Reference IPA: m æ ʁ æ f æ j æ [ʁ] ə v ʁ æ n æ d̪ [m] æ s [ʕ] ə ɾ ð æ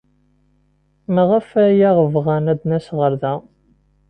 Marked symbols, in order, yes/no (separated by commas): yes, no, no